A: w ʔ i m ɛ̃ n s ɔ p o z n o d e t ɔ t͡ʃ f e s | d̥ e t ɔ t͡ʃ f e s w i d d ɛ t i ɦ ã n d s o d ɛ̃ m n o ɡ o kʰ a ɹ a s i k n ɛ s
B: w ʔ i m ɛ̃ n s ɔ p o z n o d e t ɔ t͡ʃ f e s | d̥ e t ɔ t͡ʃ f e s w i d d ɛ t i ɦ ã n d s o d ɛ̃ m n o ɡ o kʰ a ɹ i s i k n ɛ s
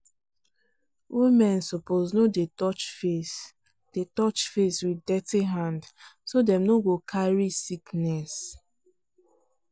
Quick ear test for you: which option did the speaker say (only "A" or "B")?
B